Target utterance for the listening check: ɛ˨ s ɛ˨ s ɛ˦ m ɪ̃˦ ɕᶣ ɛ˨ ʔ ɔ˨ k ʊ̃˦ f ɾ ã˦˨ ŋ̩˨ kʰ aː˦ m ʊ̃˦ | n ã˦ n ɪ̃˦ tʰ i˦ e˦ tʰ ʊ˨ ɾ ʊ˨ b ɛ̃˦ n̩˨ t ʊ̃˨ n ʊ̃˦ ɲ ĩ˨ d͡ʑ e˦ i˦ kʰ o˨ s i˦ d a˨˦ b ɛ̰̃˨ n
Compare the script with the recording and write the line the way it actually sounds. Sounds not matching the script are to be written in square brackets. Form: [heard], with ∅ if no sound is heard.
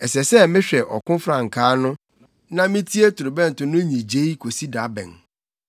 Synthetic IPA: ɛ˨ s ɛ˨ s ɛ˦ m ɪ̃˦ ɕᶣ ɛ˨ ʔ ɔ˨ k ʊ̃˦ f ɾ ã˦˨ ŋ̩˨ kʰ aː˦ [n] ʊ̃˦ | n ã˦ [m] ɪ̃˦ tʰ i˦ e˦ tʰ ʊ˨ ɾ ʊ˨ b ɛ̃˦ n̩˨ t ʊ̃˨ n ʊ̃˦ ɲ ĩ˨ d͡ʑ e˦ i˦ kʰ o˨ s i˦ d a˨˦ b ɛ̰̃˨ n